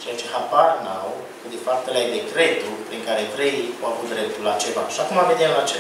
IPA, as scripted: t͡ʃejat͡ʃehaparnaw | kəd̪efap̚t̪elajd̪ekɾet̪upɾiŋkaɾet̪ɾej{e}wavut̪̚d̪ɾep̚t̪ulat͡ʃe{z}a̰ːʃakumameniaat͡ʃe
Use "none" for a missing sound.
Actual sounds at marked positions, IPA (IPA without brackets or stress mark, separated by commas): a, v